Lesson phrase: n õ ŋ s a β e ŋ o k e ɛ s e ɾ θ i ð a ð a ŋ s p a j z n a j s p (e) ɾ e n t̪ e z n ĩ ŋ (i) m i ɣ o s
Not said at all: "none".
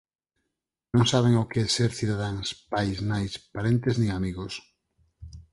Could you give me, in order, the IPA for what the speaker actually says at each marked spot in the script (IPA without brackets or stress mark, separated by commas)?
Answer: a, a